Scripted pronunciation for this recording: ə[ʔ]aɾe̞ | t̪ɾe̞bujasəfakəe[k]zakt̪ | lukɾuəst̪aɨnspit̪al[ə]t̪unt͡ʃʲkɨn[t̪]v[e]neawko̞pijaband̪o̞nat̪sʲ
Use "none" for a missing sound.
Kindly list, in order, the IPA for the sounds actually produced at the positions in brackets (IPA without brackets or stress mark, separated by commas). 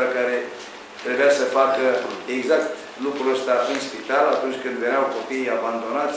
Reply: k, ɡ, a, d̪, e